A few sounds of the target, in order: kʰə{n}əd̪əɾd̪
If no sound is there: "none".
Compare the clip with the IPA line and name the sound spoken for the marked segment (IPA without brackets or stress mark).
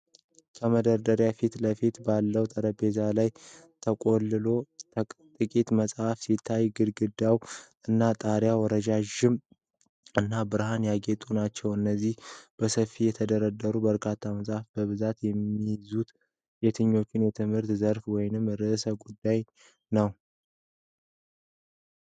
m